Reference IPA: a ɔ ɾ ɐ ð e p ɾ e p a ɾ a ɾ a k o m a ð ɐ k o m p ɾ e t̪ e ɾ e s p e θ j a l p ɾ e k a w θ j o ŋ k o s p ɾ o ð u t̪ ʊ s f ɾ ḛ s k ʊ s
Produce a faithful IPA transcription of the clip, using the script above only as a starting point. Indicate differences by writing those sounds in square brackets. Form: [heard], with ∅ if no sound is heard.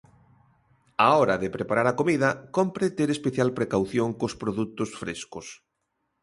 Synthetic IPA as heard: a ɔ ɾ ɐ ð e p ɾ e p a ɾ a ɾ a k o m [i] ð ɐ k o m p ɾ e t̪ e ɾ e s p e θ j a l p ɾ e k a w θ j o ŋ k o s p ɾ o ð u t̪ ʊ s f ɾ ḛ s k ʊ s